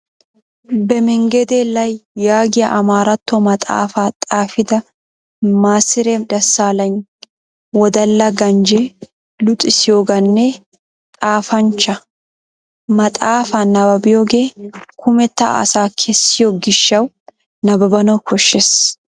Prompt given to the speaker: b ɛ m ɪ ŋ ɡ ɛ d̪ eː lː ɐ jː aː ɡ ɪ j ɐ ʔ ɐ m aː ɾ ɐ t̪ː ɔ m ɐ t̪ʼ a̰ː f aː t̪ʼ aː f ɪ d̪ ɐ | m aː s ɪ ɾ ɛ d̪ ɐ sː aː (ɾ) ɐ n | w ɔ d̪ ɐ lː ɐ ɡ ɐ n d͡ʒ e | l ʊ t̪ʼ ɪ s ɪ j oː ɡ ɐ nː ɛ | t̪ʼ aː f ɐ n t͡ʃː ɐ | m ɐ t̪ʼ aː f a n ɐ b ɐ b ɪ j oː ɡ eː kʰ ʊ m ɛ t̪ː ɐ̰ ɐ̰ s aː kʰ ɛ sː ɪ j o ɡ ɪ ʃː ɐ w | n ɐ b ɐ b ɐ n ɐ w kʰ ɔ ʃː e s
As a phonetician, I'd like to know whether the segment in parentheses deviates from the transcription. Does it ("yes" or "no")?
yes